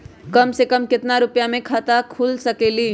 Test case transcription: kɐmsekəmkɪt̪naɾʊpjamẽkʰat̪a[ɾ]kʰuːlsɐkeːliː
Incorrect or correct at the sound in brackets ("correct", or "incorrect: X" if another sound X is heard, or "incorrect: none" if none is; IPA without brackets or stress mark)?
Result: incorrect: none